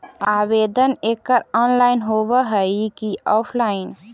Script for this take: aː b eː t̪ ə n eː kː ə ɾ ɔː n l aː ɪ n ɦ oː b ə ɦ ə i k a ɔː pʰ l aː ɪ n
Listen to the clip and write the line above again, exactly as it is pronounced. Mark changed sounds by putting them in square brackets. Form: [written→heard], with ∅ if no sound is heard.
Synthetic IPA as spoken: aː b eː [t̪→d̪] ə n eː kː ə ɾ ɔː n l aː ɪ n ɦ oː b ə ɦ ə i k [a→i] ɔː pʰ l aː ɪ n